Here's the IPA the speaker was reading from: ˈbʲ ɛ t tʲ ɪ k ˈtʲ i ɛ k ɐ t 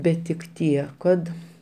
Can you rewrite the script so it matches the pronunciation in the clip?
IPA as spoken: ˈbʲ ɛ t tʲ ɪ k ˈtʲ i ɛ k ɐ t